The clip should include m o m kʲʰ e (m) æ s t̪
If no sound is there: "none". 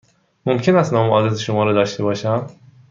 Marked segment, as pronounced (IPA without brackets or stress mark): n